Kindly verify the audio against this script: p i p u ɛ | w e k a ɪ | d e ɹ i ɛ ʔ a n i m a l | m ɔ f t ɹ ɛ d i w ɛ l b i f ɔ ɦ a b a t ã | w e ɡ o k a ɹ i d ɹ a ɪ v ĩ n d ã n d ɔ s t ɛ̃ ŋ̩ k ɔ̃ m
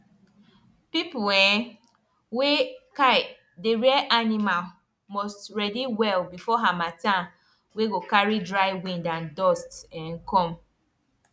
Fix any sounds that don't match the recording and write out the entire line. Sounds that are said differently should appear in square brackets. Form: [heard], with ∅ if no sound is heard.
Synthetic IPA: p i p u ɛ | w e k a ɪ | d e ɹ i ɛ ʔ a n i m a l | m ɔ [s] t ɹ ɛ d i w ɛ l b i f ɔ ɦ a [m] a t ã | w e ɡ o k a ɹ i d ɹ a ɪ [w] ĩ n d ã n d ɔ s t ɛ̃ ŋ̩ k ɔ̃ m